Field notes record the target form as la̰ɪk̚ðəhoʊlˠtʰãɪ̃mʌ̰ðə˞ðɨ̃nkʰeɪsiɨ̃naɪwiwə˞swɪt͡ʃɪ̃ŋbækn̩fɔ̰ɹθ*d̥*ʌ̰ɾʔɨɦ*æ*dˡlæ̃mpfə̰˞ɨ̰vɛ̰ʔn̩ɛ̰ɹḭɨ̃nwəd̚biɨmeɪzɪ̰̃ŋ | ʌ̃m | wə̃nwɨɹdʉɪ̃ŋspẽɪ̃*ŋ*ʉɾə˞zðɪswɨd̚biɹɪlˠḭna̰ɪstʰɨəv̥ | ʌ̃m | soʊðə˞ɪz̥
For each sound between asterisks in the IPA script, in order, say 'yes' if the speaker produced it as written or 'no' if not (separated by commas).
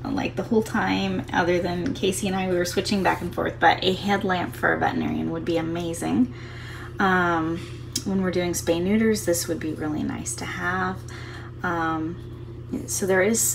no, no, no